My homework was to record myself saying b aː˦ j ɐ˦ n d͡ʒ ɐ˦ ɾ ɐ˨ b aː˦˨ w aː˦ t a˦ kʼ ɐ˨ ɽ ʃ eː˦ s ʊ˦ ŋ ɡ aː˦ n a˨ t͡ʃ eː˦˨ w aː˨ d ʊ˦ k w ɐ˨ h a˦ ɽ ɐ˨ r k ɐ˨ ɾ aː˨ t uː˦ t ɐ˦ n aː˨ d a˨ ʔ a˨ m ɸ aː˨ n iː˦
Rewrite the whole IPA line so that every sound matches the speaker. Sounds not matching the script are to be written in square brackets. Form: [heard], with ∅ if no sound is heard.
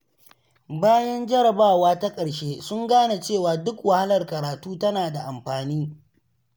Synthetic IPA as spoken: b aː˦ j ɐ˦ n d͡ʒ ɐ˦ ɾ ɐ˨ b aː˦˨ w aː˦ t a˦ kʼ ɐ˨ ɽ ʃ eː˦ s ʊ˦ ŋ ɡ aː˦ n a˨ t͡ʃ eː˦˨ w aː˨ d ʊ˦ k w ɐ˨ h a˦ [l] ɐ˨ r k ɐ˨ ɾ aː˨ t uː˦ t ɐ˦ n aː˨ d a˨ ʔ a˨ m ɸ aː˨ n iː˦